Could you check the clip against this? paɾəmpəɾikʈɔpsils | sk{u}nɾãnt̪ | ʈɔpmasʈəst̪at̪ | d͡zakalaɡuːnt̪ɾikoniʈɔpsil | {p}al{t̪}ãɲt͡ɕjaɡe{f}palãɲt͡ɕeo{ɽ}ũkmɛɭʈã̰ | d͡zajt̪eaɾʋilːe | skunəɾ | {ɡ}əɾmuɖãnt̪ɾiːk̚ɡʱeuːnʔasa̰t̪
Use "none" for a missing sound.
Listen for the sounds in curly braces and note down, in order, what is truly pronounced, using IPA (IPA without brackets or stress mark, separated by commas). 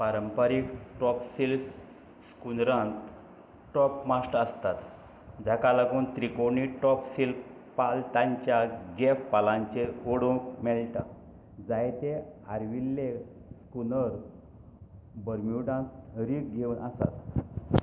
u, p, t̪, f, ɽ, b